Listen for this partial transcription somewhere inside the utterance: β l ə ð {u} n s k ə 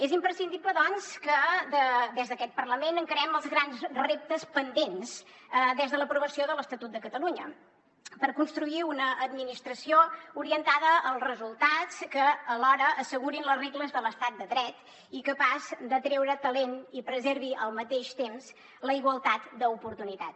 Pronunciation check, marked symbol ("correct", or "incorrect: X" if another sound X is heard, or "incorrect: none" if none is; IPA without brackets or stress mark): incorrect: ɔ